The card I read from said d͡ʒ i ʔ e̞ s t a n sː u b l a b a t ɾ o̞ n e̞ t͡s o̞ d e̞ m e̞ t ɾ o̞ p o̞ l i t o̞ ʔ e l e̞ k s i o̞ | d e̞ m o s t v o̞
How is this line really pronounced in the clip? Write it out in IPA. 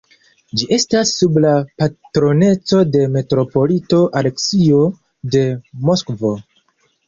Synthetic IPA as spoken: d͡ʒ i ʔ e̞ s t a sː u b l a p a t ɾ o̞ n e̞ t͡s o̞ d e̞ m e̞ t ɾ o̞ p o̞ l i t o̞ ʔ a l e̞ k s i o̞ | d e̞ m o s k v o̞

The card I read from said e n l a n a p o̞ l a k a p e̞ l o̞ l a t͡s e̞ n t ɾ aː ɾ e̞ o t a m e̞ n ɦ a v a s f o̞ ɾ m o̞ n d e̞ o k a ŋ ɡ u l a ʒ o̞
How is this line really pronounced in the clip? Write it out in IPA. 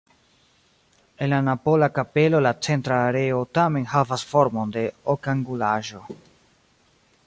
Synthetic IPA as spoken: e n l a n a p o̞ l a k a p e̞ l o̞ l a t͡s e̞ n t ɾ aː ɾ e̞ o t a m e̞ n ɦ a v a s f o̞ ɾ m o̞ n d e̞ o k a ŋ ɡ u l a ʒ o̞

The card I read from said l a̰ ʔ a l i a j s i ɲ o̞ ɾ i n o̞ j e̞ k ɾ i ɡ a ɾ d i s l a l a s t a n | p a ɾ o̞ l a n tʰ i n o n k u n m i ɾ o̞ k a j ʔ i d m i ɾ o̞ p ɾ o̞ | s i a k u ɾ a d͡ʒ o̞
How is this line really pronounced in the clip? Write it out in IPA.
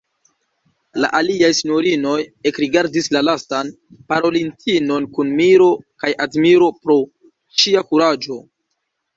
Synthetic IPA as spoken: l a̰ ʔ a l i a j s i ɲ o̞ ɾ i n o̞ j e̞ k ɾ i ɡ a ɾ d i s l a l a s t a n | p a ɾ o̞ l i n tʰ i n o n k u n m i ɾ o̞ k a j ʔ a d m i ɾ o̞ p ɾ o̞ | ʃ i a k u ɾ a d͡ʒ o̞

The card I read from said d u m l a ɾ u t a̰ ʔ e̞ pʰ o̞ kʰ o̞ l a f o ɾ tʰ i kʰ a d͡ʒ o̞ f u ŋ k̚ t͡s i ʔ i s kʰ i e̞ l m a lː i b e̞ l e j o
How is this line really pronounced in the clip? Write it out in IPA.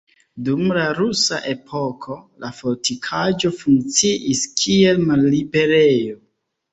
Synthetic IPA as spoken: d u m l a ɾ u s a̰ ʔ e̞ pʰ o̞ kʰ o̞ l a f o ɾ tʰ i kʰ a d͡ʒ o̞ f u ŋ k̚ t͡s i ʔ i s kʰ i e̞ l m a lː i b e̞ ɾ e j o

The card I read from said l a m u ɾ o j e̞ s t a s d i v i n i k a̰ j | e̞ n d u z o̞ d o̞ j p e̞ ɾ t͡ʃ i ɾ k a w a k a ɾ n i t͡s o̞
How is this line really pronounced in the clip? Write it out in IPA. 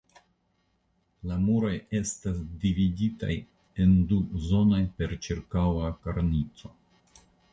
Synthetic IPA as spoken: l a m u ɾ o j e̞ s t a s d i v i d i t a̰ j | e̞ n d u z o̞ n o̞ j p e̞ ɾ t͡ʃ i ɾ k a w a k a ɾ n i t͡s o̞

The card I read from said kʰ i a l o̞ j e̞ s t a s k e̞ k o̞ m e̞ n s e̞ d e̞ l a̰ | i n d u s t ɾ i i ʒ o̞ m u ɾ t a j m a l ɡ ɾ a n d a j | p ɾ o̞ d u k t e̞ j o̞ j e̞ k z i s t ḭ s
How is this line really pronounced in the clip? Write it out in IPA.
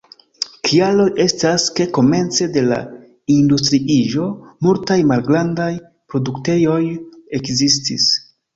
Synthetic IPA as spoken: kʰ i a l o̞ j e̞ s t a s k e̞ k o̞ m e̞ n t͡s e̞ d e̞ l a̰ | i n d u s t ɾ i i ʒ o̞ m u l t a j m a l ɡ ɾ a n d a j | p ɾ o̞ d u k t e̞ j o̞ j e̞ k z i s t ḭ s

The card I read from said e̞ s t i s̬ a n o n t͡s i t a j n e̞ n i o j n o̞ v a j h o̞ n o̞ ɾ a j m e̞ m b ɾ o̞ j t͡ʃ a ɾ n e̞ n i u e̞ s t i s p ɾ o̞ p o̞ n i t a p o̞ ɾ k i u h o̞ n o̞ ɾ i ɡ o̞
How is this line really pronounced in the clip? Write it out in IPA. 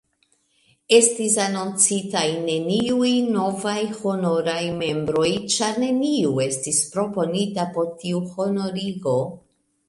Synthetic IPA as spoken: e̞ s t i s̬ a n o n t͡s i t a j n e̞ n i u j n o̞ v a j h o̞ n o̞ ɾ a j m e̞ m b ɾ o̞ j t͡ʃ a ɾ n e̞ n i u e̞ s t i s p ɾ o̞ p o̞ n i t a p o̞ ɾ t i u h o̞ n o̞ ɾ i ɡ o̞

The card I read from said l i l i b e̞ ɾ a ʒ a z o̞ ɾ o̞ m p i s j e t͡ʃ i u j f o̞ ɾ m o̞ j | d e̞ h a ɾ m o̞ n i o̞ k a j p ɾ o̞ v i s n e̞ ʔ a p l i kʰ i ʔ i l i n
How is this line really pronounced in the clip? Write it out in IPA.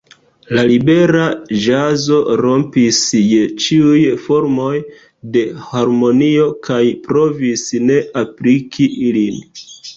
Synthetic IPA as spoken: l a l i b e̞ ɾ a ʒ a z o̞ ɾ o̞ m p i s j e t͡ʃ i u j f o̞ ɾ m o̞ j | d e̞ h a ɾ m o̞ n i o̞ k a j p ɾ o̞ v i s n e̞ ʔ a p l i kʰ i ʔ i l i n

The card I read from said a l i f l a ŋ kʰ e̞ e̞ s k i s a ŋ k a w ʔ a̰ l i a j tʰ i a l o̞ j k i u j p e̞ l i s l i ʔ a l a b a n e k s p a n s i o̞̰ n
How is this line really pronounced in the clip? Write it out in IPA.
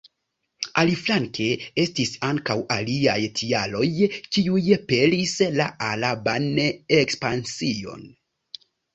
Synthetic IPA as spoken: a l i f l a ŋ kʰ e̞ e̞ s t i s a ŋ k a w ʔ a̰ l i a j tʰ i a l o̞ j k i u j p e̞ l i s l a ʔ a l a b a n e k s p a n s i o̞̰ n

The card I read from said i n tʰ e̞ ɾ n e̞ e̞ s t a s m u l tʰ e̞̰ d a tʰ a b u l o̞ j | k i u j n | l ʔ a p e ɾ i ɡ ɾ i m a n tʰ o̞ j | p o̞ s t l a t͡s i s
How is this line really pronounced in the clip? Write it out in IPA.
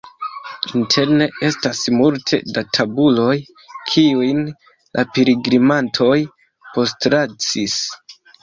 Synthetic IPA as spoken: i n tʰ e̞ ɾ n e̞ e̞ s t a s m u l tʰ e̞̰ d a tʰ a b u l o̞ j | kʰ i u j n | l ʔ a p e ɾ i ɡ ɾ i m a n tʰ o̞ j | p o̞ s t ɾ a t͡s i s

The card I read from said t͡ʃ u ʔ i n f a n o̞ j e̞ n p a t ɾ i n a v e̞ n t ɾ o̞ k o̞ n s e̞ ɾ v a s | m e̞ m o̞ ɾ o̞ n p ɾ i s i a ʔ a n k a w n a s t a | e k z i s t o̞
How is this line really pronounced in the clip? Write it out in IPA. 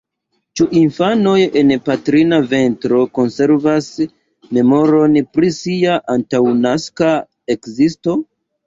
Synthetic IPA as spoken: t͡ʃ u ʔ i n f a n o̞ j e̞ n p a t ɾ i n a v e̞ n t ɾ o̞ k o̞ n s e̞ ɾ v a s | m e̞ m o̞ ɾ o̞ n p ɾ i s i a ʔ a n t a w n a s k a | e k z i s t o̞

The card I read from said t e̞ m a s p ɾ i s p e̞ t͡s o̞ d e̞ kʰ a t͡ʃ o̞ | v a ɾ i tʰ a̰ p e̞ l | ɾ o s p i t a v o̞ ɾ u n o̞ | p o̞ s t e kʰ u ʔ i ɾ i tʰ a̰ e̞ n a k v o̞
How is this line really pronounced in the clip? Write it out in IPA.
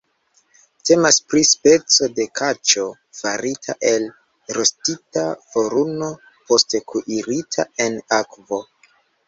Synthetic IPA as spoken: t e̞ m a s p ɾ i s p e̞ t͡s o̞ d e̞ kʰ a t͡ʃ o̞ | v a ɾ i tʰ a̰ ʔ e̞ l | ɾ o s t i t a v o̞ ɾ u n o̞ | p o̞ s t e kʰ u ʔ i ɾ i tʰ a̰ e̞ n a k v o̞

